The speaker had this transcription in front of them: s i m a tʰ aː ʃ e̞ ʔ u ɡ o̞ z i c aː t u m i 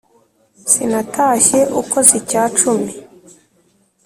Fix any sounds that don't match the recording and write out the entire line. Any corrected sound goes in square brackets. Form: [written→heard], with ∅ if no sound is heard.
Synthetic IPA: s i [m→n] a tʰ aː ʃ e̞ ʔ u [ɡ→k] o̞ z i c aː [t→t͡ʃ] u m i